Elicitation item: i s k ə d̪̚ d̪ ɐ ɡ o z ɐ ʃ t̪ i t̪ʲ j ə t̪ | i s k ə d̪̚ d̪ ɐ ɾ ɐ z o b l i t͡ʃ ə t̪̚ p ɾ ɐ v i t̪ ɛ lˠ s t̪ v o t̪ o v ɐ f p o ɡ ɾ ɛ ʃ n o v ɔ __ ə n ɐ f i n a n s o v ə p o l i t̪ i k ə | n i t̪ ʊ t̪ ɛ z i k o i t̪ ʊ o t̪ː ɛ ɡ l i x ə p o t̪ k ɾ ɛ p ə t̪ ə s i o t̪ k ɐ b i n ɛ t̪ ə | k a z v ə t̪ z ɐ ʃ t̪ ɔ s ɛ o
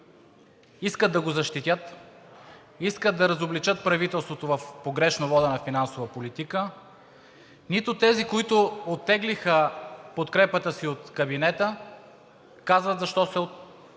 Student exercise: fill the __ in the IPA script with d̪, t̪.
d̪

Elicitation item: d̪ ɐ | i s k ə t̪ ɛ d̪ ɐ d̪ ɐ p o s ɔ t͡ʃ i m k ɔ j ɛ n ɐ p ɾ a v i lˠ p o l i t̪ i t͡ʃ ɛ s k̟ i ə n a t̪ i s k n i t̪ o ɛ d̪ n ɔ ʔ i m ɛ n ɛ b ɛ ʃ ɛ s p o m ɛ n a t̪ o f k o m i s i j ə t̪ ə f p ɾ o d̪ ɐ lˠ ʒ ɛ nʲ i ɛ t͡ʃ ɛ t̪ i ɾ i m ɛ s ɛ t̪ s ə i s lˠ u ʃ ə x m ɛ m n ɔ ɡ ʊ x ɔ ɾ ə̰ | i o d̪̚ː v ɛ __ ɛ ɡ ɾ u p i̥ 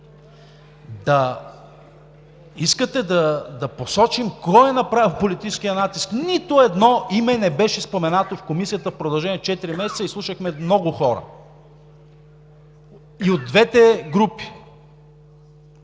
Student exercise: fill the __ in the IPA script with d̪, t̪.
t̪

